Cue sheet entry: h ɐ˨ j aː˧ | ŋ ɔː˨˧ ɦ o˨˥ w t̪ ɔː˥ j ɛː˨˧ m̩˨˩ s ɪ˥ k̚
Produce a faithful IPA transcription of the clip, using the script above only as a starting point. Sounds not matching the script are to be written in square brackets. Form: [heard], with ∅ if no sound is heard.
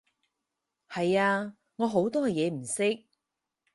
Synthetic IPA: h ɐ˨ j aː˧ | ŋ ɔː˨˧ ɦ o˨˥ w t̪ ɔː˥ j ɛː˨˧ m̩˨˩ s ɪ˥ k̚